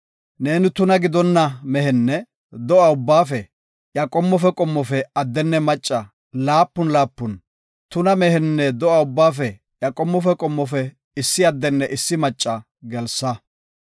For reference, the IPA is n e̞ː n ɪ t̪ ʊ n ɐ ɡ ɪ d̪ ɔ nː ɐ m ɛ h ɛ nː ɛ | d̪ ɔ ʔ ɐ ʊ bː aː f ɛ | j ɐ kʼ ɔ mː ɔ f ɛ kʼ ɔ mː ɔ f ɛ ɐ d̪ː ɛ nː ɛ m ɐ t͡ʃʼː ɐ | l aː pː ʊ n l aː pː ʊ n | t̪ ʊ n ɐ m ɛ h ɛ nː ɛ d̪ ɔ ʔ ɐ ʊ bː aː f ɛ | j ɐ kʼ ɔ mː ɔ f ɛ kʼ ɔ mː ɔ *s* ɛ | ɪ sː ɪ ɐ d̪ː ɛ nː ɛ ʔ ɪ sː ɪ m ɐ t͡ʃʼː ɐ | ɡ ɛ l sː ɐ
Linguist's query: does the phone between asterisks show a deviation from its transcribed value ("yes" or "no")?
yes